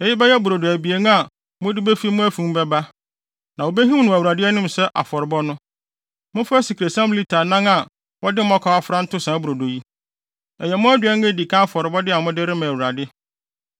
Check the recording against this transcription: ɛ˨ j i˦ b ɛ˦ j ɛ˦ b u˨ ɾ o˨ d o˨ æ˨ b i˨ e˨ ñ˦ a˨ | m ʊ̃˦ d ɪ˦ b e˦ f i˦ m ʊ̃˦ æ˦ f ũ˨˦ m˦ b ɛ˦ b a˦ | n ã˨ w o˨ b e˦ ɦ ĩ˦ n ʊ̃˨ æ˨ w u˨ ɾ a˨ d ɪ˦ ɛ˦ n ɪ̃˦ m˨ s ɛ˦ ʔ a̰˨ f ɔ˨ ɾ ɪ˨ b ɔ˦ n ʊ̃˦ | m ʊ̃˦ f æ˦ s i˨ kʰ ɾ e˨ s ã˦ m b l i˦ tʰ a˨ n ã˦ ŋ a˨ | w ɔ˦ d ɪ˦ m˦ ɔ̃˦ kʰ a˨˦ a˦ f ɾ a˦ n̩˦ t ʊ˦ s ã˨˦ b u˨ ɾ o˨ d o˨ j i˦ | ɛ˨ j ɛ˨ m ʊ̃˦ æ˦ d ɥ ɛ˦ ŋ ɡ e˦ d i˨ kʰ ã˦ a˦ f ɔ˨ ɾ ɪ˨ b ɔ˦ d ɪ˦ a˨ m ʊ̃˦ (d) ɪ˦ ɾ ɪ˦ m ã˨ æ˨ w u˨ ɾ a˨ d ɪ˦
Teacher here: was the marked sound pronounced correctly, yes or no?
yes